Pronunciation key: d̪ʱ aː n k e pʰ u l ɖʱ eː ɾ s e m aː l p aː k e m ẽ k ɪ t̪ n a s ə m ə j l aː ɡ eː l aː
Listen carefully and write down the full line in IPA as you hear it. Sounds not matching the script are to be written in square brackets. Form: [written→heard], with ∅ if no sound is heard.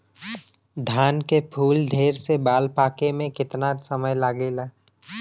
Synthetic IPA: d̪ʱ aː n k e pʰ [u→uː] l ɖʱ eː ɾ s e [m→b] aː l p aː k e m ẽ k ɪ t̪ n a s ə m ə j l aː ɡ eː l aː